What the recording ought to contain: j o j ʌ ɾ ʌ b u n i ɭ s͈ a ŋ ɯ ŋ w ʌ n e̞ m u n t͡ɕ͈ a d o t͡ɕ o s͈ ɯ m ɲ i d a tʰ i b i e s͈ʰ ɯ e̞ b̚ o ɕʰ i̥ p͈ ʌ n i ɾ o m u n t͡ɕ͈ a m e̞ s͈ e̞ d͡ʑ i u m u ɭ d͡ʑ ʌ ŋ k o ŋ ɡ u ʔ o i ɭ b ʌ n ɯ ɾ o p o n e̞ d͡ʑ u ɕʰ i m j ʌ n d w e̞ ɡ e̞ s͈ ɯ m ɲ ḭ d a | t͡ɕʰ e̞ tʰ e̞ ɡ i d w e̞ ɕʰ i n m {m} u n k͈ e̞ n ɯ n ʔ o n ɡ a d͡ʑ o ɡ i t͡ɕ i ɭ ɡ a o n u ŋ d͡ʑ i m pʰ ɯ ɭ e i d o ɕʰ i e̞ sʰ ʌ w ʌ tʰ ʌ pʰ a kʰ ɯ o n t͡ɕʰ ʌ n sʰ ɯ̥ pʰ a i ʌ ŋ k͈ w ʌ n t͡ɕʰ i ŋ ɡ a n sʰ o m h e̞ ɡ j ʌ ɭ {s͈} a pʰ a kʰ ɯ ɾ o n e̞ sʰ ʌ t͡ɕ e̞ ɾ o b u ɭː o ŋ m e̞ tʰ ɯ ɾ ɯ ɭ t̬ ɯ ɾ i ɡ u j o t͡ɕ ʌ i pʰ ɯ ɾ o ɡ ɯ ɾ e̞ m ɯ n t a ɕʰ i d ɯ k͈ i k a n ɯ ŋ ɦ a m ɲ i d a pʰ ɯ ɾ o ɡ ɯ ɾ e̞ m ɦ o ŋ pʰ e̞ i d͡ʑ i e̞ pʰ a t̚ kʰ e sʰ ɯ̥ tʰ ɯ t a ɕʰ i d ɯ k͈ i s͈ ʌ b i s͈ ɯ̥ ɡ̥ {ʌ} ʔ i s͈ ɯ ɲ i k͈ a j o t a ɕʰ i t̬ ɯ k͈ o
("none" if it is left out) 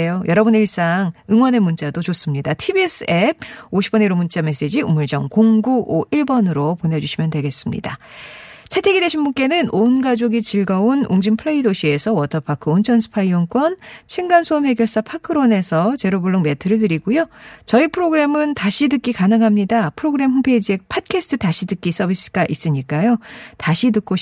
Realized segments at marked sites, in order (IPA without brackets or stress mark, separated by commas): b, s͈, a